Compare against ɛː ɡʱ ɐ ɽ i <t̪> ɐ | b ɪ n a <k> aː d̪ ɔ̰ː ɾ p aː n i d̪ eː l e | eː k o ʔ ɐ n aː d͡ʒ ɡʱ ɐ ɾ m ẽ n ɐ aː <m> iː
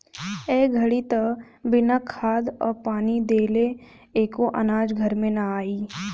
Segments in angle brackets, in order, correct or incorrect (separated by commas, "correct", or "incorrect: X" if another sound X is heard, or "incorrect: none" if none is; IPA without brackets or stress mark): correct, incorrect: kʰ, incorrect: none